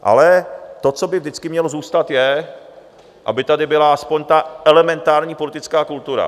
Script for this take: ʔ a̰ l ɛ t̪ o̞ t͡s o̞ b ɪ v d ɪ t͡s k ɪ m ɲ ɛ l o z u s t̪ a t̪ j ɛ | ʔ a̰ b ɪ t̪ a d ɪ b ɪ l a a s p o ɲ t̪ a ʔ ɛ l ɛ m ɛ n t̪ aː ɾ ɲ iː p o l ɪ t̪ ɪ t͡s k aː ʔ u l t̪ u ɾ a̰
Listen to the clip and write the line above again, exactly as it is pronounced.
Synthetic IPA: ʔ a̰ l ɛ t̪ o̞ t͡s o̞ b ɪ v d ɪ t͡s k ɪ m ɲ ɛ l o z uː s t̪ a t̪ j ɛ | ʔ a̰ b ɪ t̪ a d ɪ b ɪ l a a s p o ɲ t̪ a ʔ ɛ l ɛ m ɛ n t̪ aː ɾ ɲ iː p o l ɪ t̪ ɪ t͡s k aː k u l t̪ u ɾ a̰

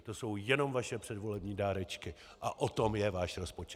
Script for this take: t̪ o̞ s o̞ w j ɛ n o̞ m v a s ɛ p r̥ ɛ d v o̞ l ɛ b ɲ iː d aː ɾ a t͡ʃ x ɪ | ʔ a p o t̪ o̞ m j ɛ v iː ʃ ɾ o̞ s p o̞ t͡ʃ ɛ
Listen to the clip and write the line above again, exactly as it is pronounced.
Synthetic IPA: t̪ o̞ s o̞ w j ɛ n o̞ m v a ʃ ɛ p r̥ ɛ d v o̞ l ɛ b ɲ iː d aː ɾ ɛ t͡ʃ k ɪ | ʔ a ʔ o t̪ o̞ m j ɛ v aː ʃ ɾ o̞ s p o̞ t͡ʃ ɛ

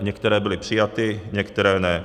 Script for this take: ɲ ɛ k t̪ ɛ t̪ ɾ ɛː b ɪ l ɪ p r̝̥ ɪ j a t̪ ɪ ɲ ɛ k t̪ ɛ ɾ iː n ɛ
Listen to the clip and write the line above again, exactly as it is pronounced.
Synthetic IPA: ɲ ɛ k t̪ ɛ ɾ ɛː b ɪ l ɪ p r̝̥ ɪ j a t̪ ɪ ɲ ɛ k t̪ ɛ ɾ ɛː n ɛ

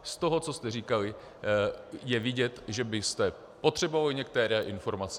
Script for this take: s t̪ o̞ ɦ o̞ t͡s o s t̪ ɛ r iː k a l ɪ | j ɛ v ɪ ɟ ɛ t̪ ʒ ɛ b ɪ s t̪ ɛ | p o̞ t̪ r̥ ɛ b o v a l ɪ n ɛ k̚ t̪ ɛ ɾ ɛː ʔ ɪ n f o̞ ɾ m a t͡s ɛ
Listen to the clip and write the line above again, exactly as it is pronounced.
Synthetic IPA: s t̪ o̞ ɦ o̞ t͡s o s t̪ ɛ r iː k a l ɪ | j ɛ v ɪ ɟ ɛ t̪ ʒ ɛ b ɪ s t̪ ɛ | p o̞ t̪ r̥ ɛ b o v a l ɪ ɲ ɛ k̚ t̪ ɛ ɾ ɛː ʔ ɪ n f o̞ ɾ m a t͡s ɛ

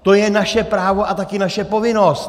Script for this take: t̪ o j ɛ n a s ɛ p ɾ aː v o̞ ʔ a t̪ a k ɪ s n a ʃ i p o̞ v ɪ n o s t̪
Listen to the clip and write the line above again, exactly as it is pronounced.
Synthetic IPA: t̪ o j ɛ n a ʃ ɛ p ɾ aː v o̞ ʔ a t̪ a k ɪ n a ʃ ɛ p o̞ v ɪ n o s t̪

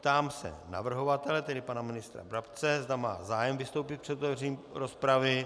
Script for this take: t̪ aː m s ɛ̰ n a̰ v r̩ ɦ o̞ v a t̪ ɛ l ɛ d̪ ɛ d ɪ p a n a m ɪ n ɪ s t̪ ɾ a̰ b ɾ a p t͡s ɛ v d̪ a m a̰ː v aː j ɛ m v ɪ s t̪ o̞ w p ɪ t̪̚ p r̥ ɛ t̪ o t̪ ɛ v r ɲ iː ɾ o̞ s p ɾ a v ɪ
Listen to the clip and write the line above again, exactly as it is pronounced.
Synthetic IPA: t̪ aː m s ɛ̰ n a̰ v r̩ ɦ o̞ v a t̪ ɛ l ɛ t̪ ɛ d ɪ p a n a m ɪ n ɪ s t̪ ɾ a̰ b ɾ a p t͡s ɛ z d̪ a m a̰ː z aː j ɛ m v ɪ s t̪ o̞ w p ɪ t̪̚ p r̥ ɛ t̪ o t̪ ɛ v r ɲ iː ɾ o̞ s p ɾ a v ɪ

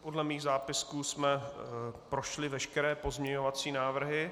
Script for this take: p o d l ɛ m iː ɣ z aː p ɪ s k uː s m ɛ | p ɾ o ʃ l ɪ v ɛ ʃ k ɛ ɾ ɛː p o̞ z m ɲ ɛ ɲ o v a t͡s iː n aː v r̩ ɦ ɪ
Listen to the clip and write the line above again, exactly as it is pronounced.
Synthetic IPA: p o d l ɛ m iː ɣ z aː p ɪ s k uː s m ɛ | p ɾ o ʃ l ɪ v ɛ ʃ k ɛ ɾ ɛː p o̞ z m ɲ ɛ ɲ o v a t͡s iː n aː v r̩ ɦ ɪ

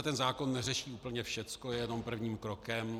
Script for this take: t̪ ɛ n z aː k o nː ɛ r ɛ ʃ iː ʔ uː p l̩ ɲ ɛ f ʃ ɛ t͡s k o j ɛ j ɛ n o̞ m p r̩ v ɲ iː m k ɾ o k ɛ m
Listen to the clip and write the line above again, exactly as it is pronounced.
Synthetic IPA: t̪ ɛ n z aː k o nː ɛ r ɛ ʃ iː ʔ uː p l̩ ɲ ɛ f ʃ ɛ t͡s k o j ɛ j ɛ n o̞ m p r̩ v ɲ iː m k ɾ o k ɛ m

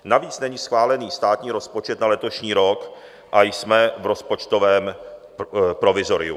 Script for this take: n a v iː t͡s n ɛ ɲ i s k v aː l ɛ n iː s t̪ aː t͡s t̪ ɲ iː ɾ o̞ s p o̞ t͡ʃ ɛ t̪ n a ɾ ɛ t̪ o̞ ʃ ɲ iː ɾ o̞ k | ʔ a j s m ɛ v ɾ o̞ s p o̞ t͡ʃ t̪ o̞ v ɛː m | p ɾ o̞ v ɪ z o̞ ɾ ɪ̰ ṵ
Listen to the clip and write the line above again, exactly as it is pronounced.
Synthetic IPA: n a v iː t͡s n ɛ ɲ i s x v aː l ɛ n iː s t̪ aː t̪ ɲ iː ɾ o̞ s p o̞ t͡ʃ ɛ t̪ n a l ɛ t̪ o̞ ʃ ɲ iː ɾ o̞ k | ʔ a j s m ɛ v ɾ o̞ s p o̞ t͡ʃ t̪ o̞ v ɛː m | p ɾ o̞ v ɪ z o̞ ɾ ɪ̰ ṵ

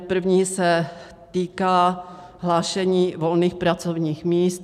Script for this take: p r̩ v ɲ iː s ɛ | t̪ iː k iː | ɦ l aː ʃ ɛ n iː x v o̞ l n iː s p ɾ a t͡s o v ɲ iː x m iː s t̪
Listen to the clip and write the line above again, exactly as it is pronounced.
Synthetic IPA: p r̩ v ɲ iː s ɛ | t̪ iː k aː | ɦ l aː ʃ ɛ ɲ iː v o̞ l n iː x p ɾ a t͡s o v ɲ iː x m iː s t̪

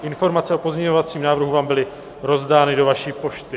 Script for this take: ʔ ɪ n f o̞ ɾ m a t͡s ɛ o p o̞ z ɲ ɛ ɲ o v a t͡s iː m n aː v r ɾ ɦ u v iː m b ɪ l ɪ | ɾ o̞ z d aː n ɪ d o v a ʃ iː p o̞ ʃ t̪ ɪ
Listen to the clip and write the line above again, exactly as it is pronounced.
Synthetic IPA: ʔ ɪ n f o̞ ɾ m a t͡s ɛ o p o̞ z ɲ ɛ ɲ o v a t͡s iː m n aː v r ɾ ɦ u v aː m b ɪ l ɪ | ɾ o̞ z d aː n ɪ d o v a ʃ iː p o̞ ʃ t̪ ɪ

